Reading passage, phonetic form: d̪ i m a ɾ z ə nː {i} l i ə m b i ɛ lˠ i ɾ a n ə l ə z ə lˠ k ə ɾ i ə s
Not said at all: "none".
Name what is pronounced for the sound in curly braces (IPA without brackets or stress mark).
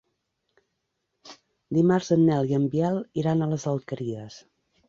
ɛ